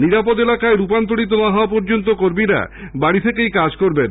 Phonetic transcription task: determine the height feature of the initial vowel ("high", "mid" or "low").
high